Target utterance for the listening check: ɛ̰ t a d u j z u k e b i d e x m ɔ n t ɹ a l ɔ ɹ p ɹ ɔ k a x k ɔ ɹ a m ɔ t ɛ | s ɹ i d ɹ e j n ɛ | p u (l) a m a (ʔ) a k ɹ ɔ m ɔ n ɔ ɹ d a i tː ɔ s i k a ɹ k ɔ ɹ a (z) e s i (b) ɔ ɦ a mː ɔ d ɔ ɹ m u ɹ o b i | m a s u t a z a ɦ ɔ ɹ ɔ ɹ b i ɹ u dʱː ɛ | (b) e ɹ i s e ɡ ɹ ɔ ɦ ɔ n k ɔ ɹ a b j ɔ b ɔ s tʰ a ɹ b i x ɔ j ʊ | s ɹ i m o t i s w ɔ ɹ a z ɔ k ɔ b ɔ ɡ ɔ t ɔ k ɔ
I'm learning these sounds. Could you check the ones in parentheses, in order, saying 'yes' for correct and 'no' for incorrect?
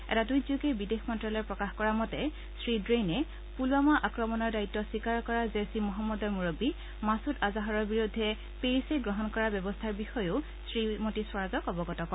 yes, yes, yes, no, no

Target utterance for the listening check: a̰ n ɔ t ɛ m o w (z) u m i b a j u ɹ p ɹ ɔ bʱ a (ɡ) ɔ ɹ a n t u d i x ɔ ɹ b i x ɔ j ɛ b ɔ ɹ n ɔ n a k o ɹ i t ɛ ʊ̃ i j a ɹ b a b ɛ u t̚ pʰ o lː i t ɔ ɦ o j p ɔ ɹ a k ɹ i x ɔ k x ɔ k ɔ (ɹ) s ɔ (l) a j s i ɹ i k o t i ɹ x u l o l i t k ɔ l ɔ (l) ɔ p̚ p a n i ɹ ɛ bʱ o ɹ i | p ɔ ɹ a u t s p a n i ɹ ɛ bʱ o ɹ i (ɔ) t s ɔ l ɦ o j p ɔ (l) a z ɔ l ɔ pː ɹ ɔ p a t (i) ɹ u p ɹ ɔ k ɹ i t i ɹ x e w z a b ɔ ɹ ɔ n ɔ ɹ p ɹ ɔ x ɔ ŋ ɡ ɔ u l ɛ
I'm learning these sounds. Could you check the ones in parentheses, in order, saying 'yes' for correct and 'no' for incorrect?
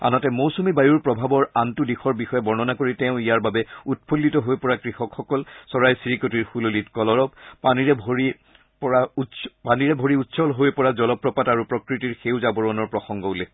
no, no, no, no, no, no, no, no

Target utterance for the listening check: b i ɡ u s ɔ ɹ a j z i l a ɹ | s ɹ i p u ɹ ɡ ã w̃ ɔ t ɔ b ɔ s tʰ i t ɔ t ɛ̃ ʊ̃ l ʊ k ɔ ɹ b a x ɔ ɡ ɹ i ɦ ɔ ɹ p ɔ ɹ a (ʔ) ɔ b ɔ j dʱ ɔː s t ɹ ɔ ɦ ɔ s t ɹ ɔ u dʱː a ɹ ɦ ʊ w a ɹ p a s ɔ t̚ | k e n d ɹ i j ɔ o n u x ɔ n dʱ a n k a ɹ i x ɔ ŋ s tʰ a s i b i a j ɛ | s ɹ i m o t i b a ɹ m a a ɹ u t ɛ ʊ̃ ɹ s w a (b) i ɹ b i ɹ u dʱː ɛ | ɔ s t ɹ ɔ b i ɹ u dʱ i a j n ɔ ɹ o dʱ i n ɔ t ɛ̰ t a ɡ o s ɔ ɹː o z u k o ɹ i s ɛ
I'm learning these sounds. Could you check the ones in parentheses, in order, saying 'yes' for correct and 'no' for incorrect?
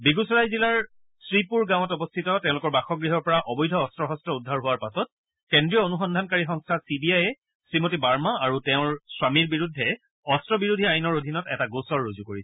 yes, no

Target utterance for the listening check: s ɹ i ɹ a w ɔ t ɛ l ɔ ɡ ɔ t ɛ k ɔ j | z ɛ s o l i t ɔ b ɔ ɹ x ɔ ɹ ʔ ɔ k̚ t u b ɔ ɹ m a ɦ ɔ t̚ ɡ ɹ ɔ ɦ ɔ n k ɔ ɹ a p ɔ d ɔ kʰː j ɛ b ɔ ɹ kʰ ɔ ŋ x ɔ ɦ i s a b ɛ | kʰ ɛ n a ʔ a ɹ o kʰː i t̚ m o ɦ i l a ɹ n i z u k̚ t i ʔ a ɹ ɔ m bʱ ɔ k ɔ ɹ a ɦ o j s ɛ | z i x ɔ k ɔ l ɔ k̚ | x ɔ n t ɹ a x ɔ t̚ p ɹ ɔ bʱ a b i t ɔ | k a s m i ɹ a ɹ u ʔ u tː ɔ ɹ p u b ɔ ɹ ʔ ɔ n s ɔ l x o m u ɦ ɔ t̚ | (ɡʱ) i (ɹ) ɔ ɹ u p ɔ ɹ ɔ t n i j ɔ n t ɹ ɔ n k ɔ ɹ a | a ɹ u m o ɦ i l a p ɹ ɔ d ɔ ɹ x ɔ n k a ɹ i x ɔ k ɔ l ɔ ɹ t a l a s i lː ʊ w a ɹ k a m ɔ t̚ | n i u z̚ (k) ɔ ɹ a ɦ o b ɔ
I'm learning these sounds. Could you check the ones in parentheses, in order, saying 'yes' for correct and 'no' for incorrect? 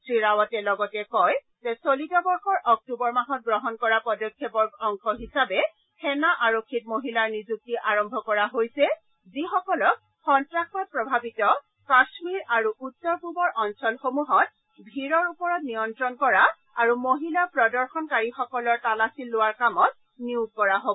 no, yes, yes

